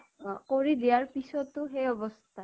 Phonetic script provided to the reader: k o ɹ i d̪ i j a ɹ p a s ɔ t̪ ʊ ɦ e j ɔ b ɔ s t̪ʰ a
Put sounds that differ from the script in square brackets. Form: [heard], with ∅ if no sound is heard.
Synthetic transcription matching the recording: k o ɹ i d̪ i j a ɹ p [i] s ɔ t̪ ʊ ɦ e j ɔ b ɔ s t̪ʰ a